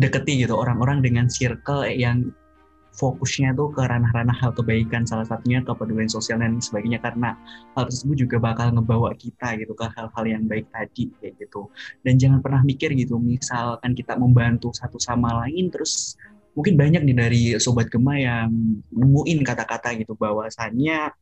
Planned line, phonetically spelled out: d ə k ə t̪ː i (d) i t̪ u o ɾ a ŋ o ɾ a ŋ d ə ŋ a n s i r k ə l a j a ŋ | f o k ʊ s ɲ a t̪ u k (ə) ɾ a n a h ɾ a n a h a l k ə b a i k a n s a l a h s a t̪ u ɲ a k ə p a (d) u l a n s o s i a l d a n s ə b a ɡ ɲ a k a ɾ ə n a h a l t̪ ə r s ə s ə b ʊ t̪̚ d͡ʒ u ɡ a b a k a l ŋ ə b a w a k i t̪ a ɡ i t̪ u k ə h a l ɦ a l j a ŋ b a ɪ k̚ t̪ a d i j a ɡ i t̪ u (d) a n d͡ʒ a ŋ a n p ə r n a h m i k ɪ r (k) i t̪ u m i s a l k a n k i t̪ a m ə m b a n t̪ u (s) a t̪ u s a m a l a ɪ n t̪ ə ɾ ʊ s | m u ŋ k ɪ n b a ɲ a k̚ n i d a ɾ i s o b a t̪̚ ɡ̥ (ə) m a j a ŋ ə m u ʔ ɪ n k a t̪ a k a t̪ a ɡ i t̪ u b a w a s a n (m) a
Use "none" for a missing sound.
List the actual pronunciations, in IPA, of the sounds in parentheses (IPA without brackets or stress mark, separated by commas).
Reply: ɡ, ə, d, d, ɡ, s, ə, ɲ